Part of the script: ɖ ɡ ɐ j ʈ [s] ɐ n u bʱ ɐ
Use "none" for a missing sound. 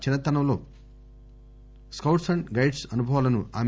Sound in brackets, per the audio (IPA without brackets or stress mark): s